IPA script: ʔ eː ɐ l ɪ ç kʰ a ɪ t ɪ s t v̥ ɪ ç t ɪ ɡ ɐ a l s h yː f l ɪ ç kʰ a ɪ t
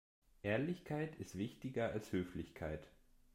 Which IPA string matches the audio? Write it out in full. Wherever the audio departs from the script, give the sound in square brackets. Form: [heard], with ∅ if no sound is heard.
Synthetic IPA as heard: ʔ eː ɐ l ɪ ç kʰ a ɪ t ɪ s t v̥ ɪ ç t ɪ ɡ ɐ a l s h [øː] f l ɪ ç kʰ a ɪ t